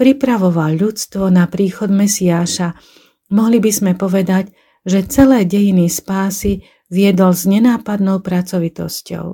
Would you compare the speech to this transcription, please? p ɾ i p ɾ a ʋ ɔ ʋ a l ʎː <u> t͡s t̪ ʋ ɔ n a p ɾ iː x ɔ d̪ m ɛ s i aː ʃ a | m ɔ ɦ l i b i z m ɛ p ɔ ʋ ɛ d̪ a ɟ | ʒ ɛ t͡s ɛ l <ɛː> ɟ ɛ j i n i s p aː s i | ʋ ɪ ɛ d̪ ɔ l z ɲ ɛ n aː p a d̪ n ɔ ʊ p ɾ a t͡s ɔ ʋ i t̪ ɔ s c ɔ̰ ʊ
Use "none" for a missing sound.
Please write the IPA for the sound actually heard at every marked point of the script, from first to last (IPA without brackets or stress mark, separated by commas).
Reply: u, ɛː